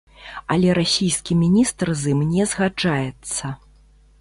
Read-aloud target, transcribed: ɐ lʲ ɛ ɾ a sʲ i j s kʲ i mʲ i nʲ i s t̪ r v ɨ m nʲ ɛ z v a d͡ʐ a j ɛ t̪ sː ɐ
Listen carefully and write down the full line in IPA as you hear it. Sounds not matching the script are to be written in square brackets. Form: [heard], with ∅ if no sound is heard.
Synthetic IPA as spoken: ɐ lʲ ɛ ɾ a sʲ i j s kʲ i mʲ i nʲ i s t̪ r [z] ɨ m nʲ ɛ z [ɣ] a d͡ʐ a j ɛ t̪ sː ɐ